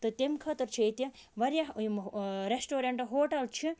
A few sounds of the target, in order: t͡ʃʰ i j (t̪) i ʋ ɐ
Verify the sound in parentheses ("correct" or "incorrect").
correct